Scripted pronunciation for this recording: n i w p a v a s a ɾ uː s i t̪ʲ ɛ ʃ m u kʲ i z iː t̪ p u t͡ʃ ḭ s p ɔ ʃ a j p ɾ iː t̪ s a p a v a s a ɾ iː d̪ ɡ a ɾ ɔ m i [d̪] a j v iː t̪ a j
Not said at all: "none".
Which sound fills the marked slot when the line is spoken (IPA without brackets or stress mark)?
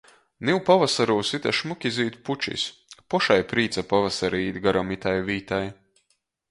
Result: t̪